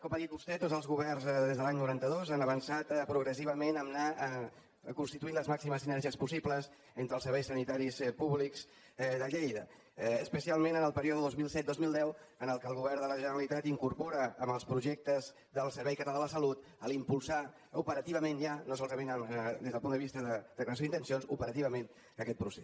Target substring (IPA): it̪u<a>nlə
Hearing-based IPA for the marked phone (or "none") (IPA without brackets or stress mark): i